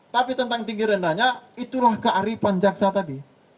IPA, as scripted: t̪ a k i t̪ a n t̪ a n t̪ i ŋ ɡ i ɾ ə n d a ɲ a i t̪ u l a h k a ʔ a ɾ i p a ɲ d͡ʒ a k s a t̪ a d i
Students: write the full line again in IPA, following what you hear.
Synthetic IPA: t̪ a p i t̪ ə n t̪ a ŋ t̪ i ŋ ɡ i ɾ ə n d a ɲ a i t̪ u l a h k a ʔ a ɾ i p a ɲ d͡ʒ a k s a t̪ a d i